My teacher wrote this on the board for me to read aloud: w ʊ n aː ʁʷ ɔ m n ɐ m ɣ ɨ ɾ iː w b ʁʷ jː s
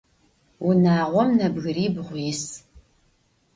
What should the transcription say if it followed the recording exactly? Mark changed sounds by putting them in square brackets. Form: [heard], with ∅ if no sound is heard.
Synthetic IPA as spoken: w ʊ n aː ʁʷ ɔ m n ɐ [b] ɣ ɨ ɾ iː [∅] b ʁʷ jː s